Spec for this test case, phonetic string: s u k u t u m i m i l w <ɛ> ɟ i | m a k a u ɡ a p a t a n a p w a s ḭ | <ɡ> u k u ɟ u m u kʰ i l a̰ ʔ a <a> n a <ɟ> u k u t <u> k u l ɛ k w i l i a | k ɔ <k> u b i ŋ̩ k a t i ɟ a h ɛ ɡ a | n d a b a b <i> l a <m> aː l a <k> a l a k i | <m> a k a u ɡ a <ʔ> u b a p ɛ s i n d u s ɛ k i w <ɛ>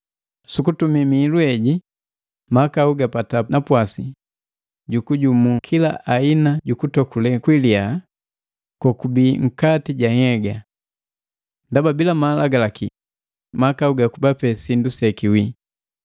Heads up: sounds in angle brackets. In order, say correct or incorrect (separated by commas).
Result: correct, incorrect, incorrect, correct, incorrect, correct, correct, correct, incorrect, correct, incorrect, incorrect